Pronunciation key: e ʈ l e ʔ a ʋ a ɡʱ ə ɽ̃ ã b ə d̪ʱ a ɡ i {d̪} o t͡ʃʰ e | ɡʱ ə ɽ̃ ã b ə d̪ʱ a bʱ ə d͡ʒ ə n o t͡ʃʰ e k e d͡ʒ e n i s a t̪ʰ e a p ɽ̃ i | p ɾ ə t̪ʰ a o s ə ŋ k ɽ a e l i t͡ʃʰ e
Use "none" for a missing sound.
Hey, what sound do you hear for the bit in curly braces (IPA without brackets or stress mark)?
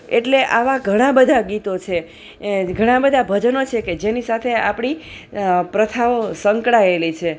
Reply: t̪